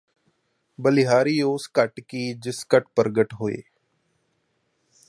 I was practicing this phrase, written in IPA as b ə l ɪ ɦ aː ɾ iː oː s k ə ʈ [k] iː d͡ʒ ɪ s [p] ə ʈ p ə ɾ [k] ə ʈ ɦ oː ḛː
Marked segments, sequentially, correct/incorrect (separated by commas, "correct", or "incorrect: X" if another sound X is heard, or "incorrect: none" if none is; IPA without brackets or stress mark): correct, incorrect: k, incorrect: ɡ